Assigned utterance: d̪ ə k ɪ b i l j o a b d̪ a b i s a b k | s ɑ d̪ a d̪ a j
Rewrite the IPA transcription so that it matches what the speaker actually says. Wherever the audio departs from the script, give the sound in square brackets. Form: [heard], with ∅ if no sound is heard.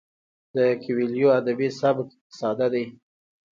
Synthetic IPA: d̪ ə k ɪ [w] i l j o a [∅] d̪ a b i s a b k | s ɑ d̪ a d̪ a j